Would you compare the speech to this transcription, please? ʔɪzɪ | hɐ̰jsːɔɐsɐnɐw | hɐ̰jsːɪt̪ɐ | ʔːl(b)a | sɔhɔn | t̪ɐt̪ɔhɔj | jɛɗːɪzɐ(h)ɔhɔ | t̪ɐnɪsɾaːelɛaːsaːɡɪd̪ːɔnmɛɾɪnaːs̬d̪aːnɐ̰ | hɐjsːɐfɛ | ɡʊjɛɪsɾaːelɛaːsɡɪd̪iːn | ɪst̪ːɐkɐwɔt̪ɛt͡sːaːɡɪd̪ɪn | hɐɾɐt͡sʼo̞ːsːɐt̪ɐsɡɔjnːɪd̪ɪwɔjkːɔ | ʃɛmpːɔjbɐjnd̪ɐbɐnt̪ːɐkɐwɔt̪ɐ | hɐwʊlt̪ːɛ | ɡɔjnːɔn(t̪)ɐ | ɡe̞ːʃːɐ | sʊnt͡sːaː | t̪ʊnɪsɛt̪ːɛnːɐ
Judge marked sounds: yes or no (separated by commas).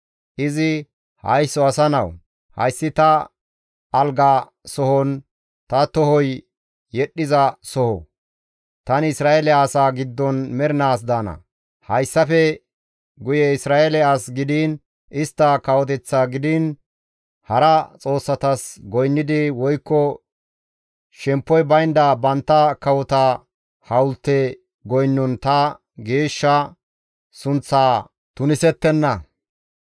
no, no, yes